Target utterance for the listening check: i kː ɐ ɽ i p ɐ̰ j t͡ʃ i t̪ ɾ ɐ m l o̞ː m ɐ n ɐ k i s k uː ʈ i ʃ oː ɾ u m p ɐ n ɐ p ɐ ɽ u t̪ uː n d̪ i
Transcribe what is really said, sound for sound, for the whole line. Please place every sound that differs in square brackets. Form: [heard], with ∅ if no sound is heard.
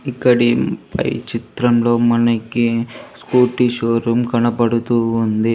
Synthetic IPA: i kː ɐ ɽ i p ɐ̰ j t͡ʃ i t̪ ɾ ɐ m l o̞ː m ɐ n ɐ k i s k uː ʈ i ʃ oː ɾ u m [k] ɐ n ɐ p ɐ ɽ u t̪ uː n d̪ i